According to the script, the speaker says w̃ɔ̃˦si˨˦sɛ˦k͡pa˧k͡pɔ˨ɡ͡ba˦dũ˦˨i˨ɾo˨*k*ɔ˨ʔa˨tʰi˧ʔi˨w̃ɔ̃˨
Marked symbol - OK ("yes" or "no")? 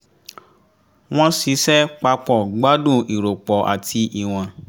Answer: no